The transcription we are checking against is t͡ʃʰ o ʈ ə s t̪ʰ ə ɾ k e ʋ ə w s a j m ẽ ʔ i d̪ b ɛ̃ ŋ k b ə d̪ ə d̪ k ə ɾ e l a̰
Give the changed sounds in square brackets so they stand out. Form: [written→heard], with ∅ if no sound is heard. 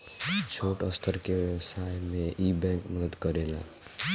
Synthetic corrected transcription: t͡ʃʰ o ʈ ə s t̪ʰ ə ɾ k e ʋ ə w s a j m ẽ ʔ i [d̪→∅] b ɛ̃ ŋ k [b→m] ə d̪ ə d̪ k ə ɾ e l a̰